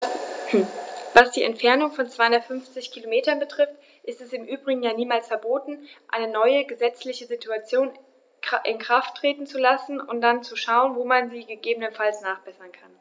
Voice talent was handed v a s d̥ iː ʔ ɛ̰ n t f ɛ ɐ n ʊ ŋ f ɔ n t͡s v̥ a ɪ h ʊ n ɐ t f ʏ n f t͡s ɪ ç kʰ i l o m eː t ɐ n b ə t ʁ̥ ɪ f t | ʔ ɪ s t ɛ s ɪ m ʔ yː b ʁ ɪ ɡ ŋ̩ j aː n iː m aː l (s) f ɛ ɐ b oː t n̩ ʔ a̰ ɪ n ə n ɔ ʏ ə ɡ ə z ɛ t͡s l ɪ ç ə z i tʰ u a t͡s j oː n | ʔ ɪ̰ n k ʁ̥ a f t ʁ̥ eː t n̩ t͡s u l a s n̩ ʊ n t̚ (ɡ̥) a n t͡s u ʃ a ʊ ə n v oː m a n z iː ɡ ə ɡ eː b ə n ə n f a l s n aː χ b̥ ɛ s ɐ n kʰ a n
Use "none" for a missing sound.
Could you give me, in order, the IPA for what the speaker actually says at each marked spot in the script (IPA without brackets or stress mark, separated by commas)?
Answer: s, d̥